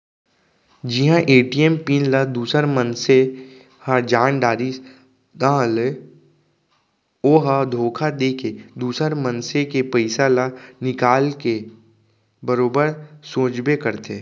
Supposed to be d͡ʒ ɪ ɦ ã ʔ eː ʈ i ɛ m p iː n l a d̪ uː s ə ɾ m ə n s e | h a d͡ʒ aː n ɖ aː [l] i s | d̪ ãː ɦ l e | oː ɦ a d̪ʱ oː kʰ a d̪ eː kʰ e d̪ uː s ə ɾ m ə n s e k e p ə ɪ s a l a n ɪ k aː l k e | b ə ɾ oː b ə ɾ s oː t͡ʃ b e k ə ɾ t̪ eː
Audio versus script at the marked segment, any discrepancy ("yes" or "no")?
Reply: yes